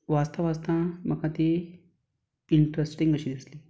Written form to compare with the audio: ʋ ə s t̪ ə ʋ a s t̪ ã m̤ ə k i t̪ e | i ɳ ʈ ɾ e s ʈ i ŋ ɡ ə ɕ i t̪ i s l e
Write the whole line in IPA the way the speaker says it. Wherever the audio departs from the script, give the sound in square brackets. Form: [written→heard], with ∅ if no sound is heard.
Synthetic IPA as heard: ʋ [ə→a] s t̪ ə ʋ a s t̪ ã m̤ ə k [i→a] t̪ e | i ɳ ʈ ɾ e s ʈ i ŋ ɡ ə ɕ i [t̪→d̪] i s l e